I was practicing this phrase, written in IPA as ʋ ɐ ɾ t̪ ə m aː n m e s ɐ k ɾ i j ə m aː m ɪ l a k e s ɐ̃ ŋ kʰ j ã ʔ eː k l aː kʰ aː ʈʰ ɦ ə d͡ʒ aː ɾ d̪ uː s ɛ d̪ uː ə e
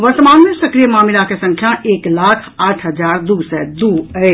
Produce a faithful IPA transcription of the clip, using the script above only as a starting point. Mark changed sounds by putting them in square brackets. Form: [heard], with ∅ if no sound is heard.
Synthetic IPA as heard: ʋ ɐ ɾ t̪ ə m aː n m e s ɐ k ɾ i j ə m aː m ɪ l a k e s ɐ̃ ŋ kʰ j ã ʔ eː k l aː kʰ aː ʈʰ ɦ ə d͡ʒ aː ɾ d̪ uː s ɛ d̪ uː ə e